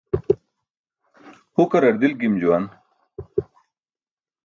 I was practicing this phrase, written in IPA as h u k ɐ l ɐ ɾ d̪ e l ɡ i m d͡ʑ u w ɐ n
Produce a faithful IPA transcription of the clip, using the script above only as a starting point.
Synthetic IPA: h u k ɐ ɾ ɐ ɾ d̪ i l ɡ i m d͡ʑ u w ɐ n